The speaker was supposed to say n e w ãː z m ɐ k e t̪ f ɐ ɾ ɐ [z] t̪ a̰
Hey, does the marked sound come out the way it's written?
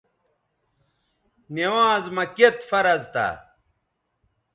yes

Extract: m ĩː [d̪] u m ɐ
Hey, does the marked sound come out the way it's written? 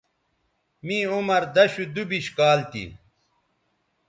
no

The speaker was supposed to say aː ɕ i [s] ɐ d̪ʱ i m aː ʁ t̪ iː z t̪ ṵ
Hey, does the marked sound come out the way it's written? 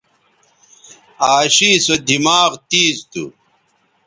yes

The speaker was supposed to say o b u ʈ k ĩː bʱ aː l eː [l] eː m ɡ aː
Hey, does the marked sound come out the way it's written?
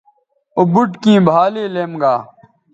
yes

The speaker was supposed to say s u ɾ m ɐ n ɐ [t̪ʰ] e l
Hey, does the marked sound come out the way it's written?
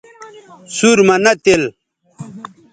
no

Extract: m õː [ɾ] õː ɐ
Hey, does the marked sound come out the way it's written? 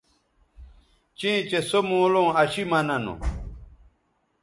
no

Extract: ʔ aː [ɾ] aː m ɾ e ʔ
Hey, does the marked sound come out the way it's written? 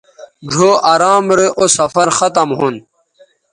yes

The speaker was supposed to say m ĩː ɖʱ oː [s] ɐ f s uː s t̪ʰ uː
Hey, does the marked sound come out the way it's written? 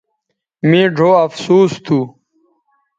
no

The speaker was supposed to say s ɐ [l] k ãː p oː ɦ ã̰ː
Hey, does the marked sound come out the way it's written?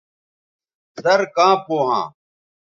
no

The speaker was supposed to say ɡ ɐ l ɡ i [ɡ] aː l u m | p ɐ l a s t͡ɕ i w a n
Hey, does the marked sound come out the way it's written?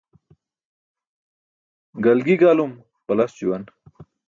yes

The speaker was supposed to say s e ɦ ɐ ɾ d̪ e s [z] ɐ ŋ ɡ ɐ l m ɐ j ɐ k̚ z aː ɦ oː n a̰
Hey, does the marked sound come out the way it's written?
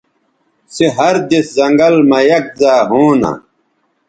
yes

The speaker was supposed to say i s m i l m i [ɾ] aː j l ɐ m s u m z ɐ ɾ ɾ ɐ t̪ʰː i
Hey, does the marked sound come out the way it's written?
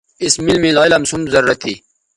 no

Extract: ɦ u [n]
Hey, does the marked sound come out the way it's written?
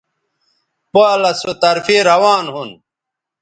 yes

